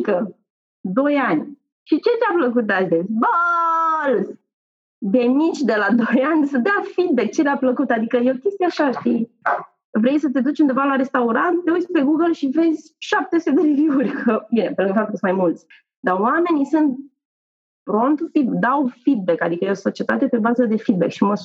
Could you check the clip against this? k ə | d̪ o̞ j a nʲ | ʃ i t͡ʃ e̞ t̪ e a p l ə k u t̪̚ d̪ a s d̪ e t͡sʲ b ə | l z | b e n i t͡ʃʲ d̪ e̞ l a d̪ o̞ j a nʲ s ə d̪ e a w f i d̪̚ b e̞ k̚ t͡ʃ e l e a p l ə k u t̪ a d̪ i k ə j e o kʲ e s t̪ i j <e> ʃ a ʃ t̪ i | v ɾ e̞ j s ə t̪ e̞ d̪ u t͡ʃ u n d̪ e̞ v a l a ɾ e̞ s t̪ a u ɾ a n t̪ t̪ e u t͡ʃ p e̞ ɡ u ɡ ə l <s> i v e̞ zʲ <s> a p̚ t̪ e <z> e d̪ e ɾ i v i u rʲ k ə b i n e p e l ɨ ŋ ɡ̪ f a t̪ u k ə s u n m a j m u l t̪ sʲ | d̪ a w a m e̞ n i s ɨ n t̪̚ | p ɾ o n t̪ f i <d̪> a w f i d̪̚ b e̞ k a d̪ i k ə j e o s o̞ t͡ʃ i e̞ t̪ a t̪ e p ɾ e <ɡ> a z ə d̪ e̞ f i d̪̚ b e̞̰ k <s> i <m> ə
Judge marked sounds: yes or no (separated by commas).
no, no, no, no, yes, no, no, yes